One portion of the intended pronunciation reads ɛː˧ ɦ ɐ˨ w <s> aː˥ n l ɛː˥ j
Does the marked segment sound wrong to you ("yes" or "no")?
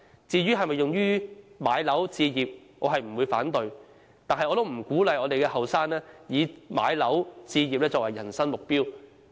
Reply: no